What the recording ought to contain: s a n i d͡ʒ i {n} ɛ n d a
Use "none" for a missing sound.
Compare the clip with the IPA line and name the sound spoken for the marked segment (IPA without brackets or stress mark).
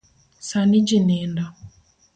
n